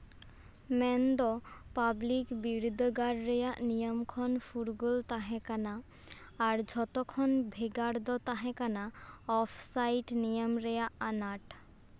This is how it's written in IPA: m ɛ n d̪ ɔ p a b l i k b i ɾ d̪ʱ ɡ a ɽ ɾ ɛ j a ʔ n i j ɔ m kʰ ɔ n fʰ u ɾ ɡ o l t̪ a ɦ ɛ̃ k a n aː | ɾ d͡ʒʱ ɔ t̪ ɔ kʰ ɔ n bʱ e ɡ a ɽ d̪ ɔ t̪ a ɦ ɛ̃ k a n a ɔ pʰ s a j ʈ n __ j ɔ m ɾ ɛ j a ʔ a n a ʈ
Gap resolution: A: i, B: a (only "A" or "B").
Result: A